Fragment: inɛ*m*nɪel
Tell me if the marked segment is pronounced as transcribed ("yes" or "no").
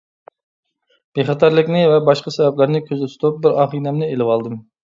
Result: yes